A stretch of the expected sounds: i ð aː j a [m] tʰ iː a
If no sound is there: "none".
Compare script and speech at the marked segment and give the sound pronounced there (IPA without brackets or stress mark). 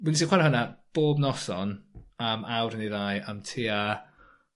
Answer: m